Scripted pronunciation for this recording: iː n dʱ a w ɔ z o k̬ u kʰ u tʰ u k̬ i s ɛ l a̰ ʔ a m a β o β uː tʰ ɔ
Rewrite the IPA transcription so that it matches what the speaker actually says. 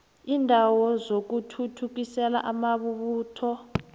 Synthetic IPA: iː n dʱ a w ɔ z o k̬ u tʰ u tʰ u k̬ i s ɛ l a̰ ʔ a m a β u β uː tʰ ɔ